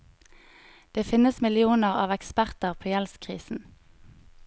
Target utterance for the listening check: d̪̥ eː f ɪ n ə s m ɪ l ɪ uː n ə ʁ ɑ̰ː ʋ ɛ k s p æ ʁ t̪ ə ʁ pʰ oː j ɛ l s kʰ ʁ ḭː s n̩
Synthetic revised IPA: d̪̥ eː f ɪ n ə s m ɪ l ɪ uː n ə ʁ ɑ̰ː ʋ ɛ k s p æ ʁ t̪ ə ʁ pʰ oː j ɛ l s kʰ ʁ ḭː s n̩